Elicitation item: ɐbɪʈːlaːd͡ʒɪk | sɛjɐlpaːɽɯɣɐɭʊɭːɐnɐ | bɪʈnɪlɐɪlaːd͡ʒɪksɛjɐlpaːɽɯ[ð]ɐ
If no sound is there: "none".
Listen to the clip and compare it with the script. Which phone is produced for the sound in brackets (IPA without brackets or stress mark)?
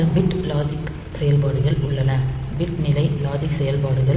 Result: ɣ